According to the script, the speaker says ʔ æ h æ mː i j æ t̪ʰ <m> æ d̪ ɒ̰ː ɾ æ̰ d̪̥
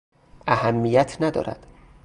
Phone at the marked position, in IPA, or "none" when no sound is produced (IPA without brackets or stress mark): n